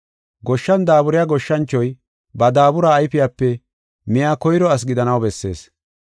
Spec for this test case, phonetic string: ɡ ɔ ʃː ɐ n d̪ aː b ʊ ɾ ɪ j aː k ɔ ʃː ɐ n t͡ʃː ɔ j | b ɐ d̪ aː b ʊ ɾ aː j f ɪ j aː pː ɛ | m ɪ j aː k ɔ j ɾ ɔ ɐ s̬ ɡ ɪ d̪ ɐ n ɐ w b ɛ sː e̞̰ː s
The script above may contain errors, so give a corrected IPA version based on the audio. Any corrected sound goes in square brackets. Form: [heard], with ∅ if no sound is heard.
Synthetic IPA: ɡ ɔ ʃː ɐ n d̪ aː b ʊ ɾ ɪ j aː [ɡ] ɔ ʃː ɐ n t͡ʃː ɔ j | b ɐ d̪ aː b ʊ ɾ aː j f ɪ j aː pː ɛ | m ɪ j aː k ɔ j ɾ ɔ ɐ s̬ ɡ ɪ d̪ ɐ n ɐ w b ɛ sː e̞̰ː s

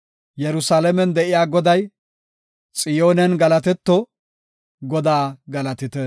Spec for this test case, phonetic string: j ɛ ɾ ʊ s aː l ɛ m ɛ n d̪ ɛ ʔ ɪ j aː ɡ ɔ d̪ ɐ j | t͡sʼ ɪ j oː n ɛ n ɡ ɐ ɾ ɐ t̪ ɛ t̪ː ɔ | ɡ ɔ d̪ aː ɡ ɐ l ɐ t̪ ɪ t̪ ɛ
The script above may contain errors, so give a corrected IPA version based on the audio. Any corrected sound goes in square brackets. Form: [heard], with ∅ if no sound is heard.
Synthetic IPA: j ɛ ɾ ʊ s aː l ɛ m ɛ n d̪ ɛ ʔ ɪ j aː ɡ ɔ d̪ ɐ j | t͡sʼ ɪ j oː n ɛ n ɡ ɐ [l] ɐ t̪ ɛ t̪ː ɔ | ɡ ɔ d̪ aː ɡ ɐ l ɐ t̪ ɪ t̪ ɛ

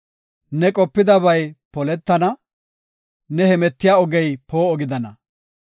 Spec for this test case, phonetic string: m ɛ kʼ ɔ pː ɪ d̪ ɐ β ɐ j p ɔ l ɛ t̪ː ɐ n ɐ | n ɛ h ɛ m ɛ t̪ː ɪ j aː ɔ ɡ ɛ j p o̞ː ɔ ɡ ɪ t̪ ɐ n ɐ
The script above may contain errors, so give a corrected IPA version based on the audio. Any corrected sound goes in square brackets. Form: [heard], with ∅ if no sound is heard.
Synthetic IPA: [n] ɛ kʼ ɔ pː ɪ d̪ ɐ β ɐ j p ɔ l ɛ t̪ː ɐ n ɐ | n ɛ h ɛ m ɛ t̪ː ɪ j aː ɔ ɡ ɛ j p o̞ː ɔ ɡ ɪ [d̪] ɐ n ɐ

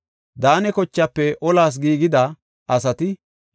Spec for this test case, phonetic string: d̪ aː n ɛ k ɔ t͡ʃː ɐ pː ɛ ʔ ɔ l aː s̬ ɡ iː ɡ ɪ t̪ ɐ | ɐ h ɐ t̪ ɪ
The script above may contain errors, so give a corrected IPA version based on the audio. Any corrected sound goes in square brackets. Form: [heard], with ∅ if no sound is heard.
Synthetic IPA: d̪ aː n ɛ k ɔ t͡ʃː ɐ pː ɛ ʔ ɔ l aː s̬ ɡ iː ɡ ɪ [d̪] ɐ | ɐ [s] ɐ t̪ ɪ

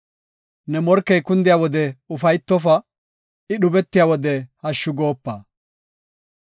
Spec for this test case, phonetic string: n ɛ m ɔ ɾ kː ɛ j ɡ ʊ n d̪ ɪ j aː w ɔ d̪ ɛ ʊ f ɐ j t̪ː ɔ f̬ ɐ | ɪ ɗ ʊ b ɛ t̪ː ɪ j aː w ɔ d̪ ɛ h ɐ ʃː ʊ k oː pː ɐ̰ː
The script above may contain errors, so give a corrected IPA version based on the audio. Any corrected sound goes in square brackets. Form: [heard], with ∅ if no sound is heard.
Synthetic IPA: n ɛ m ɔ ɾ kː ɛ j [k] ʊ n d̪ ɪ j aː w ɔ d̪ ɛ ʊ f ɐ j t̪ː ɔ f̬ ɐ | ɪ ɗ ʊ b ɛ t̪ː ɪ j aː w ɔ d̪ ɛ h ɐ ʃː ʊ [ɡ] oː pː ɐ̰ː

